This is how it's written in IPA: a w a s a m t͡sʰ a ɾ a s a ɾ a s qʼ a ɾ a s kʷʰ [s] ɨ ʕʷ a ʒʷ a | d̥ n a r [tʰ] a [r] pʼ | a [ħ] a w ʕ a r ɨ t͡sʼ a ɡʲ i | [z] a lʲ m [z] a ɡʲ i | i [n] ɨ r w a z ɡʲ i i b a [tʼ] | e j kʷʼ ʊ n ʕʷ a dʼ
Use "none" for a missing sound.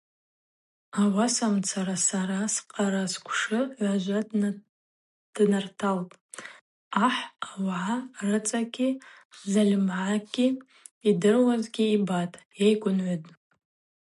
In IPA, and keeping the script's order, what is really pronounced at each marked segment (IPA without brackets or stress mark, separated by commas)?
ʂ, tʰ, l, ħ, z, ʕ, d, tʼ